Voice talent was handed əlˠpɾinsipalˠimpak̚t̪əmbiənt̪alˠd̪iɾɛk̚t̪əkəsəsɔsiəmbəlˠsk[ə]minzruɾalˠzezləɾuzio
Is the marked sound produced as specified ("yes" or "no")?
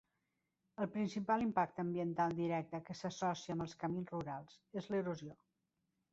yes